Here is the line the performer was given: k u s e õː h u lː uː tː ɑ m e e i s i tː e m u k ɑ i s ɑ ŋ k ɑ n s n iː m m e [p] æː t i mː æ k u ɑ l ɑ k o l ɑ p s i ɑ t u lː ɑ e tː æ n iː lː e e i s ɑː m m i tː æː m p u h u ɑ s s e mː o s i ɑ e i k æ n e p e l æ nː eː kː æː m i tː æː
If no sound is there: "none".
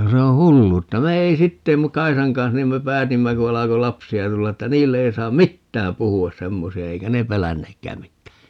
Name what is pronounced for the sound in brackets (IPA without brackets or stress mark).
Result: p